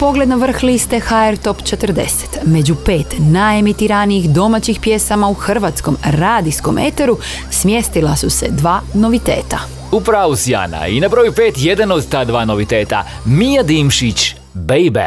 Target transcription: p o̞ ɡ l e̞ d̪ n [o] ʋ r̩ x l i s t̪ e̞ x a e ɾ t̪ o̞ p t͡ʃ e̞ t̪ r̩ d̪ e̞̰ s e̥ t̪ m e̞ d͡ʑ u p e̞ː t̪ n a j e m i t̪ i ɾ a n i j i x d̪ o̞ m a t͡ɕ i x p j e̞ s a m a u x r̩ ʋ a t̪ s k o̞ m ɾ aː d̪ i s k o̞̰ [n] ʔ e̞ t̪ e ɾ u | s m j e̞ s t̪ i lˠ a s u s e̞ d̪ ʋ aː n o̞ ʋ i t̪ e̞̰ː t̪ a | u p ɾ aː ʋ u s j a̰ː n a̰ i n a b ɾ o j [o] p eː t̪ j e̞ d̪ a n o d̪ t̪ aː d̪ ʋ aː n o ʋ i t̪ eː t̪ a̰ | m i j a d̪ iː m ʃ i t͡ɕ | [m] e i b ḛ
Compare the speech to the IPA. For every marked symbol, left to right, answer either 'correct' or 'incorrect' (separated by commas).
correct, incorrect, incorrect, incorrect